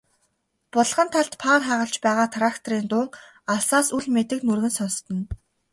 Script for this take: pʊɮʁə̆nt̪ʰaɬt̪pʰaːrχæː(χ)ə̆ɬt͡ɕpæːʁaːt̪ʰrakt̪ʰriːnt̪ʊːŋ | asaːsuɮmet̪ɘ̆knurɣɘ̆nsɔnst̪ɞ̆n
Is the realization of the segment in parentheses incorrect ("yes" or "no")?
yes